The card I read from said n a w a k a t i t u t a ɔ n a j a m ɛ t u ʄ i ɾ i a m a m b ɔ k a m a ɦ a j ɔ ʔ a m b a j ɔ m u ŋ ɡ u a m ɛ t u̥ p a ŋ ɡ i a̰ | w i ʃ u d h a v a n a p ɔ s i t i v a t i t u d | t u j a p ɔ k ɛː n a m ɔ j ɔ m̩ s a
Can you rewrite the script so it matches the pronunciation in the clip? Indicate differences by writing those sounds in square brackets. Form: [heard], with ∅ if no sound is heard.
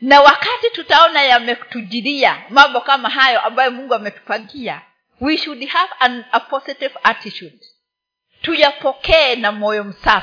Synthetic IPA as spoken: n a w a k a t i t u t a ɔ n a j a m ɛ t u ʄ i ɾ i a m a m b ɔ k a m a ɦ a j ɔ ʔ a m b a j ɔ m u ŋ ɡ u a m ɛ t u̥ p a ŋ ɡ i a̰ | w i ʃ u d h a v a n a p ɔ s i t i v a t i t u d | t u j a p ɔ k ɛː n a m ɔ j ɔ m̩ s a